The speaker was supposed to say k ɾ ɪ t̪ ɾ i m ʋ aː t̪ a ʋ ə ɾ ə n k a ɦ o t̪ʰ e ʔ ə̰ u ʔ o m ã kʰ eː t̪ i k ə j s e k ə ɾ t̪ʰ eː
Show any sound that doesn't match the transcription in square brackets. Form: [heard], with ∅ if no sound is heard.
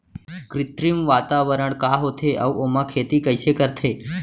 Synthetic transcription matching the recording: k ɾ ɪ t̪ ɾ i m ʋ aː t̪ a ʋ ə ɾ ə [ɳ] k a ɦ o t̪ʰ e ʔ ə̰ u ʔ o m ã kʰ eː t̪ i k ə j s e k ə ɾ t̪ʰ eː